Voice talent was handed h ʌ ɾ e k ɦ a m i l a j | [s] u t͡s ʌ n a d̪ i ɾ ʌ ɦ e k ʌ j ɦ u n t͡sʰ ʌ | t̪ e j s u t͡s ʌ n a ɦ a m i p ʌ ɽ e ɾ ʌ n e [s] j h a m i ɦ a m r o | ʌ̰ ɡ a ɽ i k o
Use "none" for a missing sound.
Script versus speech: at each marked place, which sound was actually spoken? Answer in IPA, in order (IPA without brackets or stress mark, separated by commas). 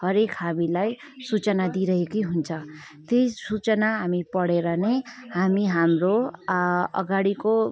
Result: s, none